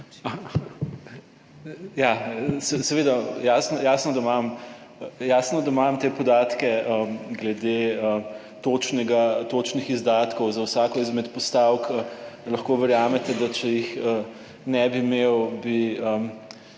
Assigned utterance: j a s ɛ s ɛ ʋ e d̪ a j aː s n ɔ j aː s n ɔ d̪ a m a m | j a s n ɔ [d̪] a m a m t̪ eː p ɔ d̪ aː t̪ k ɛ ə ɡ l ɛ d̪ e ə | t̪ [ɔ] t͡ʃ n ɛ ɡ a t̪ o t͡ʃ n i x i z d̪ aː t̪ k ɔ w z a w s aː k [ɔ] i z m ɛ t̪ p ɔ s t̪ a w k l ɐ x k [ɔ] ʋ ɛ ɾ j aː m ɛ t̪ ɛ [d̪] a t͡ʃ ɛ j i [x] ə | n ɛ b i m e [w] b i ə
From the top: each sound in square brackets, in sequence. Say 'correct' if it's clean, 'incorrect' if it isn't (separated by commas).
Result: correct, incorrect, correct, incorrect, correct, correct, correct